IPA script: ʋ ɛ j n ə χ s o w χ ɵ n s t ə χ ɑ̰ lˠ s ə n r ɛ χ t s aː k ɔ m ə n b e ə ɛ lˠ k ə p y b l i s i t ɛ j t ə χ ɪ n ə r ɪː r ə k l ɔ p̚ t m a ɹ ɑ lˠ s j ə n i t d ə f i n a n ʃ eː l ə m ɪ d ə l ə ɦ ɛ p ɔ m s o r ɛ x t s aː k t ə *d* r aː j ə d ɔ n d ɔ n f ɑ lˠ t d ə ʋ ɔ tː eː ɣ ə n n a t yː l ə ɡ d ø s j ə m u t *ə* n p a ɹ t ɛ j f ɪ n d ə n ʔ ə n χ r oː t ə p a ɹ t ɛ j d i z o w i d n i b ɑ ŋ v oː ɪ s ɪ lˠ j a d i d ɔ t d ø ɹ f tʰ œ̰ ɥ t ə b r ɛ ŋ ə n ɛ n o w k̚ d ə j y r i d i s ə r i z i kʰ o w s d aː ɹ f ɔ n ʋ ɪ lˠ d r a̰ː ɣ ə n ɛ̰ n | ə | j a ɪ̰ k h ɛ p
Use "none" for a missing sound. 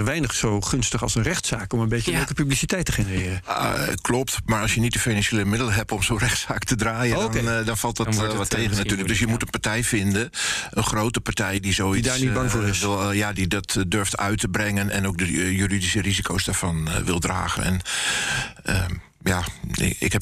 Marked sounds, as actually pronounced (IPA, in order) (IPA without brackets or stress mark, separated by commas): d, ə